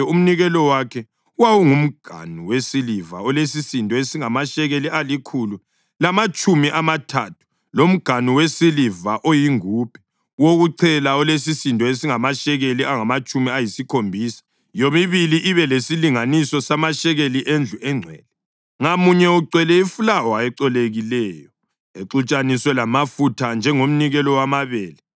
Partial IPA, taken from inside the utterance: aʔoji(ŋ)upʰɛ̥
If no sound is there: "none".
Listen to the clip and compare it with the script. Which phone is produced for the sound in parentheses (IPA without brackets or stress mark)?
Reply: ŋ